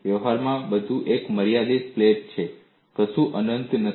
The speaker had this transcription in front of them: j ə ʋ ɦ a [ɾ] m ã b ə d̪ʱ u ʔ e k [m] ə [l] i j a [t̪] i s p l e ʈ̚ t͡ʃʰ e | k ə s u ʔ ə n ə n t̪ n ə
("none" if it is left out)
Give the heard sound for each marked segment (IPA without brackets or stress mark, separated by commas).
ɾ, m, ɾ, d̪